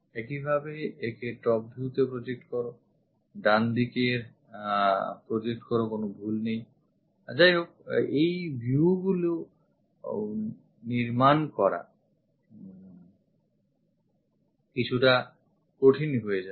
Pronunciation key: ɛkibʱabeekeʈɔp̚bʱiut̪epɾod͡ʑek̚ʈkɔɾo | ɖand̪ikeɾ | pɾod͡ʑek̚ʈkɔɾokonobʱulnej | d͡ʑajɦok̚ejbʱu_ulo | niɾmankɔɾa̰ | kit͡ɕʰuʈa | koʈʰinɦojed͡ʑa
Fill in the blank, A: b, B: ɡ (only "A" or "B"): B